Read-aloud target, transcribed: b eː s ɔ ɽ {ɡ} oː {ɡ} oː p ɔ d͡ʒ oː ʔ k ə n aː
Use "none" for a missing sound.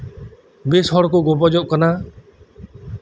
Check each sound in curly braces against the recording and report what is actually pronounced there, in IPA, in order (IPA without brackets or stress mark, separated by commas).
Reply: k, ɡ